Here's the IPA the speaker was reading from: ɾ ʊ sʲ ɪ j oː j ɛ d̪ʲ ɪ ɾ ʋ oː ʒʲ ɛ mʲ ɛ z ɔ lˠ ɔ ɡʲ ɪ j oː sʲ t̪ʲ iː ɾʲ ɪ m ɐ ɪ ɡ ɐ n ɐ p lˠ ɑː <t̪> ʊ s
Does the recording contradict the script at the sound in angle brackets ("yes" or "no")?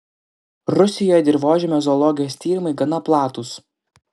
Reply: no